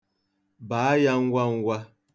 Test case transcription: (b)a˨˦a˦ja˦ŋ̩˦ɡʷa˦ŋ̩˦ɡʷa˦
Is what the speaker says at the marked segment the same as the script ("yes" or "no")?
yes